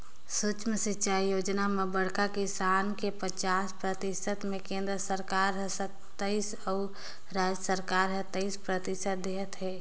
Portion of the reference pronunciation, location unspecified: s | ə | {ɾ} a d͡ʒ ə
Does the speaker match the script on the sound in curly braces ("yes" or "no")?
yes